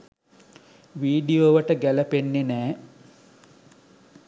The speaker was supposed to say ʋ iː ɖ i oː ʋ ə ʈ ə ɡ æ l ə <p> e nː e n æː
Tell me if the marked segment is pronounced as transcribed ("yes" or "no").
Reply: yes